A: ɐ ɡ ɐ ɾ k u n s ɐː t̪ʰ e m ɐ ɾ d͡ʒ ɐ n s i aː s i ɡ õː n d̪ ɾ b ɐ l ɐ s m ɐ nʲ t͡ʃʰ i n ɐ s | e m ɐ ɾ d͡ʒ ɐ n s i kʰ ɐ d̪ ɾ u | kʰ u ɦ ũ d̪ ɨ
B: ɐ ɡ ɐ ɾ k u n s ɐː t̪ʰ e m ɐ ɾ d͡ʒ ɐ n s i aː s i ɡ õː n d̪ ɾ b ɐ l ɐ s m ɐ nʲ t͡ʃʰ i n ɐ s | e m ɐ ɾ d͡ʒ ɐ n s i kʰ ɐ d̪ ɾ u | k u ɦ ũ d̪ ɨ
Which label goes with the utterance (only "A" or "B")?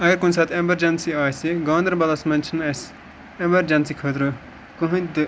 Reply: B